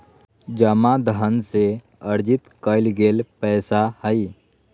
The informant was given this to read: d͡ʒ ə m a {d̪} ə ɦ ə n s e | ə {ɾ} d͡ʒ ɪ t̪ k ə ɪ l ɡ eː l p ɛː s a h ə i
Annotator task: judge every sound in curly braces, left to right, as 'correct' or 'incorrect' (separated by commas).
correct, correct